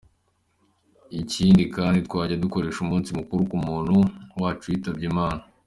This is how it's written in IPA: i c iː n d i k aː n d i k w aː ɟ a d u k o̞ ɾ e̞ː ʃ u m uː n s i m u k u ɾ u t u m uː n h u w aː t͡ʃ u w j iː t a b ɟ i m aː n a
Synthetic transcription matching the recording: i c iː n d i k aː n d i t w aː ɟ a d u k o̞ ɾ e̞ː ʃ u m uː n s i m u k u ɾ u k u m uː n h u w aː t͡ʃ u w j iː t a b ɟ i m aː n a